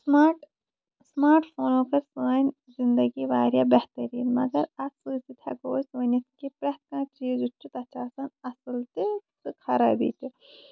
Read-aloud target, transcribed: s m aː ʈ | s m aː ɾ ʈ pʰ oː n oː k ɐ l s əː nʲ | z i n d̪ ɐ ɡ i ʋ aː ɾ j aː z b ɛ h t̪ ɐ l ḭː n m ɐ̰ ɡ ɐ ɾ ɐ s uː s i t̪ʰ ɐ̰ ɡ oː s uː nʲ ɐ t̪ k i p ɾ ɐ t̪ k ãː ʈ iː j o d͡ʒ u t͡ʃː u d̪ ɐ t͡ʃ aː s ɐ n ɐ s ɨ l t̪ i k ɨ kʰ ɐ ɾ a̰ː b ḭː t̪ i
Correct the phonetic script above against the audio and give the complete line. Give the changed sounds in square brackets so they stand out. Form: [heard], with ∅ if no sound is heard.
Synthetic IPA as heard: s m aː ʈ | s m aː ɾ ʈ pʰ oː n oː k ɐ [ɾ] s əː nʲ | z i n d̪ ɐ ɡ i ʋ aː ɾ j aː [∅] b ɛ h t̪ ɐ [ɾ] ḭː n m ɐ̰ ɡ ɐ ɾ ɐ s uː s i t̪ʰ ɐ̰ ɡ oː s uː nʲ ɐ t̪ k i p ɾ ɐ t̪ k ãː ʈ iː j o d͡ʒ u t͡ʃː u [t̪] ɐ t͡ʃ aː s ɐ n ɐ s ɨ l t̪ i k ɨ kʰ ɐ ɾ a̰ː b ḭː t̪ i